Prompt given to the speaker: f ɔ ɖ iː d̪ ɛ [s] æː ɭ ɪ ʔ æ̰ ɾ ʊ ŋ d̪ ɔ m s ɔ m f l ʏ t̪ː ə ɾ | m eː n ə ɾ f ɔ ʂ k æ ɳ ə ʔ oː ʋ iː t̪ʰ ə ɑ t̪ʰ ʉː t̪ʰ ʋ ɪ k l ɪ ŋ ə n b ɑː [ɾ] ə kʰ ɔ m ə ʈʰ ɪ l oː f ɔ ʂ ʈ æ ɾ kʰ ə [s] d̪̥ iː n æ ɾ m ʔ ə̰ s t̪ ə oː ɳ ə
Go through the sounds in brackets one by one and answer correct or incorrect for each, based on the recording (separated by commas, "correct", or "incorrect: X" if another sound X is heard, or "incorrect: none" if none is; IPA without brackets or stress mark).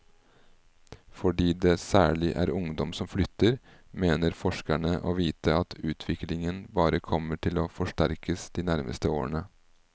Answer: correct, correct, correct